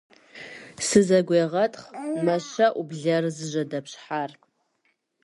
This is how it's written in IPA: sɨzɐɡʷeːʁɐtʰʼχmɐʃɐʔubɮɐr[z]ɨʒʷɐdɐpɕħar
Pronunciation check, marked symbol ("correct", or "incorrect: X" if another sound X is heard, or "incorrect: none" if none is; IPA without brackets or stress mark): correct